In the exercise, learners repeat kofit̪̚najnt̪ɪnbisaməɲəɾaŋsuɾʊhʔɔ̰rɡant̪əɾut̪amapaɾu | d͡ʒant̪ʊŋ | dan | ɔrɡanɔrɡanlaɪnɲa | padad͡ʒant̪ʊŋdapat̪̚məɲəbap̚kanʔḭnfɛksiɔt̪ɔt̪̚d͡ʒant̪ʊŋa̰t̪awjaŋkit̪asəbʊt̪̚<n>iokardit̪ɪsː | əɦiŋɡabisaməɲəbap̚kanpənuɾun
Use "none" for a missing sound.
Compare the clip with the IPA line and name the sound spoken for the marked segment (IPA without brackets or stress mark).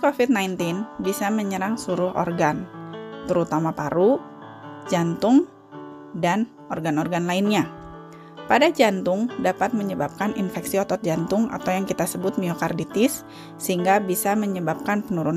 m